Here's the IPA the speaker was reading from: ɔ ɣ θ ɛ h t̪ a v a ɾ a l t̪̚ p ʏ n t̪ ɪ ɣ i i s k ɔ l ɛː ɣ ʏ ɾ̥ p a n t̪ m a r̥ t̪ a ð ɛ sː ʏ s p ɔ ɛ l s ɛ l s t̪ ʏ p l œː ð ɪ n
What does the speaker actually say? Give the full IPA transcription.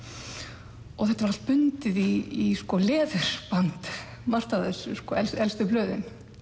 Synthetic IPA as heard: ɔ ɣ θ ɛ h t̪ a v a ɾ a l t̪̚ p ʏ n t̪ ɪ ð i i s k ɔ l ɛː ð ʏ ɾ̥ p a n t̪ m a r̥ t̪ a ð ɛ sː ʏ s k ɔ ɛ l s ɛ l s t̪ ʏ p l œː ð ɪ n